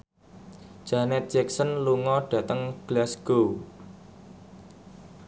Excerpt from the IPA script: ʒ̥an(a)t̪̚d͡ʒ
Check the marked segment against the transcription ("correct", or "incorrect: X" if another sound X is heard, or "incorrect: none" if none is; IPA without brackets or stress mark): incorrect: ɛ